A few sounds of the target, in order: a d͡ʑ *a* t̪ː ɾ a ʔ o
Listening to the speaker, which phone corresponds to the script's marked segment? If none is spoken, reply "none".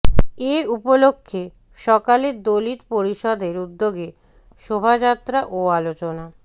a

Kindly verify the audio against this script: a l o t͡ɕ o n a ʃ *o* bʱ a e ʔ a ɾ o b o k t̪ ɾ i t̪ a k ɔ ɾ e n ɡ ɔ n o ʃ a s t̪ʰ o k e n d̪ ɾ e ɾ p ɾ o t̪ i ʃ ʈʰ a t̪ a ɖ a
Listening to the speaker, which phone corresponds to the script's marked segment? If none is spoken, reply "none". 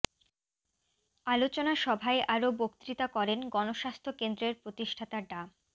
ɔ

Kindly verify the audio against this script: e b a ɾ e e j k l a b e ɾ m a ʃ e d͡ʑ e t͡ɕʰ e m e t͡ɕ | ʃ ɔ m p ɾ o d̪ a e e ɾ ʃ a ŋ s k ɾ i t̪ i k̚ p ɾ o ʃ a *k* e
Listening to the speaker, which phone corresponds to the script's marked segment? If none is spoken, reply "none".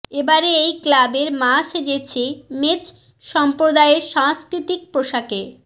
k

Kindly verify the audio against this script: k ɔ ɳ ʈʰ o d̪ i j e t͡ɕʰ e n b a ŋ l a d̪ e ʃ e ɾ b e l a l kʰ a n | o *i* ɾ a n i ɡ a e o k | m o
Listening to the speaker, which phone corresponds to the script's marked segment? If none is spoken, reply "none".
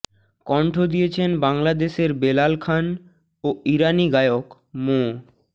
i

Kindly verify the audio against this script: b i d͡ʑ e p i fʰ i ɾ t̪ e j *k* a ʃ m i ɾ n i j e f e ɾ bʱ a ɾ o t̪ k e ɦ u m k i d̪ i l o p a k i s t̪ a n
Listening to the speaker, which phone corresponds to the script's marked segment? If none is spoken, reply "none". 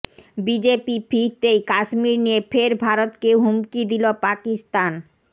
k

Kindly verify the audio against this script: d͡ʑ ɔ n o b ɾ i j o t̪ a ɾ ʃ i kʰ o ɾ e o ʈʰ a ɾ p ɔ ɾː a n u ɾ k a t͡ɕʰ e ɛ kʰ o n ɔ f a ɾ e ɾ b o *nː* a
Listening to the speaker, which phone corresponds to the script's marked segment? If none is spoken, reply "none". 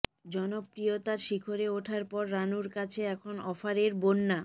nː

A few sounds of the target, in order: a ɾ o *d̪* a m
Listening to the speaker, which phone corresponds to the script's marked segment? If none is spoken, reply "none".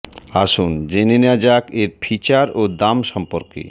d̪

